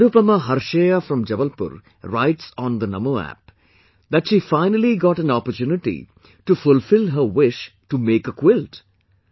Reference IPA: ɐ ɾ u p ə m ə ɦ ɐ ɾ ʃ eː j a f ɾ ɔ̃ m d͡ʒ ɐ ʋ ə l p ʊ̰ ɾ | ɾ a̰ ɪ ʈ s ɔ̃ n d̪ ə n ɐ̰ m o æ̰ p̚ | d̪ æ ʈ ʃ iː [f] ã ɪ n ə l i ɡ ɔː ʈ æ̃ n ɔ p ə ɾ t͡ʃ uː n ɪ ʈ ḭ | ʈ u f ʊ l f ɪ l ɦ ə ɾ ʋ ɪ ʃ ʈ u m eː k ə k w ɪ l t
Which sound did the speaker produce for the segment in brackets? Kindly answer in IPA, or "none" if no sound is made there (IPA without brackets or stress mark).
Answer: f